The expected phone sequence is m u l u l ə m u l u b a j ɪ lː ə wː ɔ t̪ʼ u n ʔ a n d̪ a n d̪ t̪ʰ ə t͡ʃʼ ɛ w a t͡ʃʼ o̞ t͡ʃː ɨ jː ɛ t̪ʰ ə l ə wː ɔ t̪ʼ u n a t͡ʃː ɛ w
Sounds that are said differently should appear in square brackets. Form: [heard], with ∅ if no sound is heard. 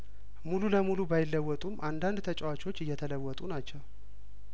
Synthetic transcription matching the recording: m u l u l ə m u l u b a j ɪ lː ə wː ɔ t̪ʼ u [m] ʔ a n d̪ a n d̪ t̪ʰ ə t͡ʃʼ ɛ w a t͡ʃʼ o̞ t͡ʃː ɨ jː ɛ t̪ʰ ə l ə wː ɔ t̪ʼ u n a t͡ʃː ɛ w